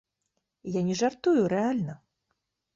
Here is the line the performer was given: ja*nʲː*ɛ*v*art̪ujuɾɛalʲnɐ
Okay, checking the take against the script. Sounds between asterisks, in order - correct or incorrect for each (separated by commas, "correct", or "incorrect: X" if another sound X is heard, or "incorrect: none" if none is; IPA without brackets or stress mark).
incorrect: nʲ, incorrect: ʐ